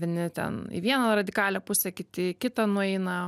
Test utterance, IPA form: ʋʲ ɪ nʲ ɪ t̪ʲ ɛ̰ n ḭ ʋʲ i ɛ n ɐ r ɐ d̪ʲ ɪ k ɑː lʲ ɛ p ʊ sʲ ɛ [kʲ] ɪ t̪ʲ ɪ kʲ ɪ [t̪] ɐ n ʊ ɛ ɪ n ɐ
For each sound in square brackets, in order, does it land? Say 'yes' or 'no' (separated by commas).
yes, yes